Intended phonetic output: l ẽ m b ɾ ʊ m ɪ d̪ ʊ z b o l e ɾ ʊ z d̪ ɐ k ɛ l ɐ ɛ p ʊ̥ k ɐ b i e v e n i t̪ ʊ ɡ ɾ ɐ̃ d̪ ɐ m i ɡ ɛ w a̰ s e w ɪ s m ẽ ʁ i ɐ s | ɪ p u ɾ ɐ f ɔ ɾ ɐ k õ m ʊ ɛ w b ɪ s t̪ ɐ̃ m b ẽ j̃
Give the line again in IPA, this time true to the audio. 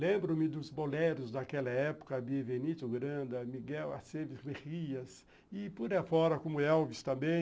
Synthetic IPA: l ẽ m b ɾ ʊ m ɪ d̪ ʊ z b o l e ɾ ʊ z d̪ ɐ k ɛ l ɐ ɛ p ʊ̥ k ɐ b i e v e n i t̪ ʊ ɡ ɾ ɐ̃ d̪ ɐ m i ɡ ɛ w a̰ s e v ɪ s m e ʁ i ɐ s | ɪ p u ɾ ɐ f ɔ ɾ ɐ k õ m ʊ ɛ w v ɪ s t̪ ɐ̃ m b ẽ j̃